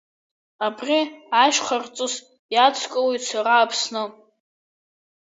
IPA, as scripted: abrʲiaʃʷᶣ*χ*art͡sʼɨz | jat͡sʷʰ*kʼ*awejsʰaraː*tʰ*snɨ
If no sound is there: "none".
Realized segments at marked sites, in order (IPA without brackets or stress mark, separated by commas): χ, kʼ, pʰ